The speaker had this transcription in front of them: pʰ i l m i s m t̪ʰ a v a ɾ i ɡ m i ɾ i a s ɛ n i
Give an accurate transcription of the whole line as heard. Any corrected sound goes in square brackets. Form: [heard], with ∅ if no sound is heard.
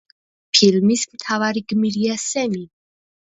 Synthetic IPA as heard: pʰ i l m i s m t̪ʰ a v a ɾ i ɡ m i ɾ i a s ɛ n i